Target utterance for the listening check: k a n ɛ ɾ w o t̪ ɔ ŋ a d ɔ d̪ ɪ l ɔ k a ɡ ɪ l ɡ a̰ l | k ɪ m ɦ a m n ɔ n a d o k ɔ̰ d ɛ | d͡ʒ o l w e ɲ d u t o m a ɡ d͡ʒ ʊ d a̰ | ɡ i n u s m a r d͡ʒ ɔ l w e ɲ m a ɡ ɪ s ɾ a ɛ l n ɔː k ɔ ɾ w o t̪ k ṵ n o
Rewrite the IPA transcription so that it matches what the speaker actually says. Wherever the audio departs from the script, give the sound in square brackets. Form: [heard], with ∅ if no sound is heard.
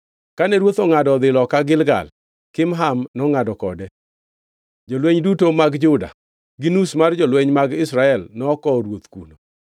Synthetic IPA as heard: k a n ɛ ɾ w o t̪ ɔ ŋ a d ɔ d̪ ɪ l ɔ k a ɡ ɪ l ɡ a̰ l | k ɪ m ɦ a m n ɔ [ŋ] a d [ɔ] k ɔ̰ d ɛ | d͡ʒ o l w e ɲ d u t o m a ɡ d͡ʒ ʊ d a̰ | ɡ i n u s m a r d͡ʒ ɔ l w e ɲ m a ɡ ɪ s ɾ a ɛ l n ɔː k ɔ ɾ w o t̪ k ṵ n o